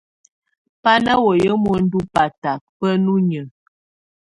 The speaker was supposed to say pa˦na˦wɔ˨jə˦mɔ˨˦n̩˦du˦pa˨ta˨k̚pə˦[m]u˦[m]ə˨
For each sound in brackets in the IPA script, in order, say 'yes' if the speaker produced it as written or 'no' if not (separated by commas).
no, no